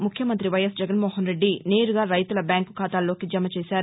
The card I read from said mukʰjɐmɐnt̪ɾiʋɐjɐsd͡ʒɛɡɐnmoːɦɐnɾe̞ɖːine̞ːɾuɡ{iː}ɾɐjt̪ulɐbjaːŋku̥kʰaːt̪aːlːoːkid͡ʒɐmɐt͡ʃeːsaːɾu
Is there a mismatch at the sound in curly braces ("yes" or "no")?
yes